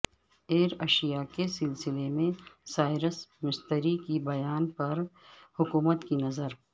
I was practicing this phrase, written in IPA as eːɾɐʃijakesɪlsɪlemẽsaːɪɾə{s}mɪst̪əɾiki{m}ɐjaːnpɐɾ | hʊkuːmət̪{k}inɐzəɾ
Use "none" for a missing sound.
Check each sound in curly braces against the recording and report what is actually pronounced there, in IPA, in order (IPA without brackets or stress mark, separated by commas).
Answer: s, b, k